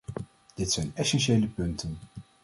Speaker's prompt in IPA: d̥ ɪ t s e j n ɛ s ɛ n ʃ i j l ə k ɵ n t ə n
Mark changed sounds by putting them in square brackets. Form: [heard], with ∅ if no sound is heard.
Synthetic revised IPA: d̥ ɪ t s [ɛ] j n ɛ s ɛ n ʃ [e] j l ə [p] ɵ n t ə n